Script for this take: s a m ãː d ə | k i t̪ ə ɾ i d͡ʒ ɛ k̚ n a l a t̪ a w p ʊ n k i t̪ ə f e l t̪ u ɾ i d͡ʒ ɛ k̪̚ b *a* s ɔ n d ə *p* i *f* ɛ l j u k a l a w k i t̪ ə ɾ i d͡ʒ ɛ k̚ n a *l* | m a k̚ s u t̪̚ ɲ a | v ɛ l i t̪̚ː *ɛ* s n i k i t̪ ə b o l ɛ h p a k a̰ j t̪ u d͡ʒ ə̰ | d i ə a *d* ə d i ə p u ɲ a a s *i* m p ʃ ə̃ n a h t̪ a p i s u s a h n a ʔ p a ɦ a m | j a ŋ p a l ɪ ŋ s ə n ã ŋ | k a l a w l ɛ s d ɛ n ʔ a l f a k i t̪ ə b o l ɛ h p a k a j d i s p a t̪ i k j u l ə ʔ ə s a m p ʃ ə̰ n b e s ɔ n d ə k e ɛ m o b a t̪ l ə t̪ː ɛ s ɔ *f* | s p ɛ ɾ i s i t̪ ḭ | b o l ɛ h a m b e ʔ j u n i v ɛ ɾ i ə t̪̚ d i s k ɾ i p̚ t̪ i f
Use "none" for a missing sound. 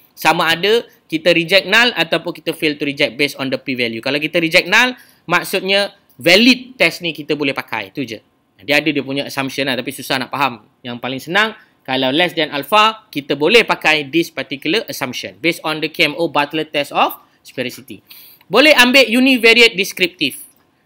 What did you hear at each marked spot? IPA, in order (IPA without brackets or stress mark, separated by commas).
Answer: e, p, v, l, ɛ, d, a, f